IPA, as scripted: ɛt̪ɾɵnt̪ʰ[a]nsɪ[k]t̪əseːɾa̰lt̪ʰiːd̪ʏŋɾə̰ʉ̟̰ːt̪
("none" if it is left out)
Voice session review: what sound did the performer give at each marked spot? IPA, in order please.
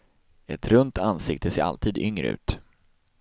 a, k

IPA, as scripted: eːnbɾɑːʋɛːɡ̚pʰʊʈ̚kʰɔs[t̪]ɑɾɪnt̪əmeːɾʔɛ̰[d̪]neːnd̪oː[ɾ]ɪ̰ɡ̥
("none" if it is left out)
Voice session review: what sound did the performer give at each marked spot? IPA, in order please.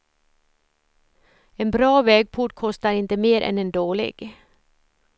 t̪, none, ɭ

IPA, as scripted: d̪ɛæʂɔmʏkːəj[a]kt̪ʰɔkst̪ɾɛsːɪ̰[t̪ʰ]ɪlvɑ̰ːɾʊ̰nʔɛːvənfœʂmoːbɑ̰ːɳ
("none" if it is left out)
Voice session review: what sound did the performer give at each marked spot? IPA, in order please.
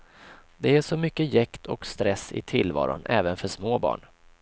ɛ, t̪ʰ

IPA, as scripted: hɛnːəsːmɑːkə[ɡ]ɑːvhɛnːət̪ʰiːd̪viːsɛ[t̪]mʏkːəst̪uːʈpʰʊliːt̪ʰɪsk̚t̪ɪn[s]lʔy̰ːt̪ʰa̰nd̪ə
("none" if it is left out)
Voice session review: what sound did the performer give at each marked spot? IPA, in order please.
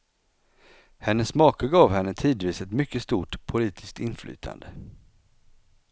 ɡ, t̪, f

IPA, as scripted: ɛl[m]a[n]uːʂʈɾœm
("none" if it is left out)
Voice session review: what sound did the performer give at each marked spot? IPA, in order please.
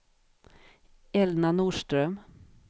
n, n

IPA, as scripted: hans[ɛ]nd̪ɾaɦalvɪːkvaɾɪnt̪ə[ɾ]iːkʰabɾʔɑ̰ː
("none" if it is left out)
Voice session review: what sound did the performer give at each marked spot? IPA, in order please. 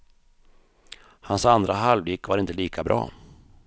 a, l

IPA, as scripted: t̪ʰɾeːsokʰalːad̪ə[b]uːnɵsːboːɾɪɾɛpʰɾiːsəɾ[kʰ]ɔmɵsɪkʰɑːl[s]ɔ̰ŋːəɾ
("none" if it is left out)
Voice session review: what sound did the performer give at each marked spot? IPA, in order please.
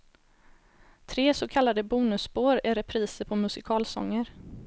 b, pʰ, s

